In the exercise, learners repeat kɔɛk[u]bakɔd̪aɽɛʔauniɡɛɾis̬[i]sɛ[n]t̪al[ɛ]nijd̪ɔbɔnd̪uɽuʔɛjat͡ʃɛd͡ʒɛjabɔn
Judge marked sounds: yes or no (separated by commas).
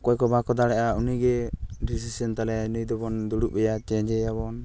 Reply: no, yes, yes, yes